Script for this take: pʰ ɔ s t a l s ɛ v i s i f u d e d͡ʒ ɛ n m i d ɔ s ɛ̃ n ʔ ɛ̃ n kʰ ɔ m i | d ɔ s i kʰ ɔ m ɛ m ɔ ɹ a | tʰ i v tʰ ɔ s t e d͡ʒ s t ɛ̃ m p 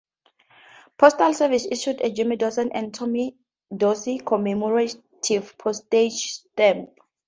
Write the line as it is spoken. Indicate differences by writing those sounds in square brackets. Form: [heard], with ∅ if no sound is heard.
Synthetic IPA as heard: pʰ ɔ s t a l s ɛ v i s i [ʃ] u d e d͡ʒ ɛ [∅] m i d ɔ s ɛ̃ n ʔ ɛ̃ n [tʰ] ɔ m i | d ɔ s i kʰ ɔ m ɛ m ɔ ɹ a | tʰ i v [pʰ] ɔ s t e d͡ʒ s t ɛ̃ m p